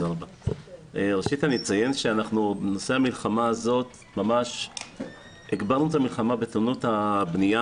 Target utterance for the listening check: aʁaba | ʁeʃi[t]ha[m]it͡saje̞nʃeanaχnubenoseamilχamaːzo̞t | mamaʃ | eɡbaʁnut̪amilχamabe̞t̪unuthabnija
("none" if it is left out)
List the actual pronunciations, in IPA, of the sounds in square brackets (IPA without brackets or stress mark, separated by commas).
t, n